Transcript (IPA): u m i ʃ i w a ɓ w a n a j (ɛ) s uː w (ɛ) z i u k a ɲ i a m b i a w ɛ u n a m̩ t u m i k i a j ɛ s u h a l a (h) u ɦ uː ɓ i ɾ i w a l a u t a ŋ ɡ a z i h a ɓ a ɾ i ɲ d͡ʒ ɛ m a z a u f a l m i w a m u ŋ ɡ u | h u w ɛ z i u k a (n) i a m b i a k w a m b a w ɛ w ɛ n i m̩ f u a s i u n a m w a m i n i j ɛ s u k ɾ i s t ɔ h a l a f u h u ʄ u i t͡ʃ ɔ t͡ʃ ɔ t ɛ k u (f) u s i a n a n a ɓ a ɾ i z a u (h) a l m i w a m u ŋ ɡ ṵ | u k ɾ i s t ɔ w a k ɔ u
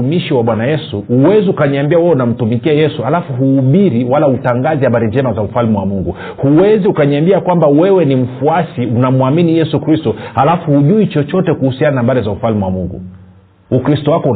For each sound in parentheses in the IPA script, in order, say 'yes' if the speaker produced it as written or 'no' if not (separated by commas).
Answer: yes, yes, no, no, no, no